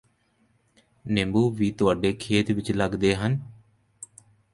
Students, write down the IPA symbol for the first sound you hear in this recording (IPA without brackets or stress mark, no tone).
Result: n